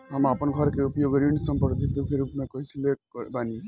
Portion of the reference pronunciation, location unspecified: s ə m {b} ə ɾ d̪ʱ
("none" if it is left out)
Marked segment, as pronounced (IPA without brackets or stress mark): p